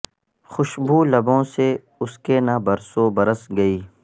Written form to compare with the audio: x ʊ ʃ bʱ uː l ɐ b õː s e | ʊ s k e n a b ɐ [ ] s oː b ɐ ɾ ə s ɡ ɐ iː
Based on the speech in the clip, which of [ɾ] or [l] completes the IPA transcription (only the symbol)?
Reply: ɾ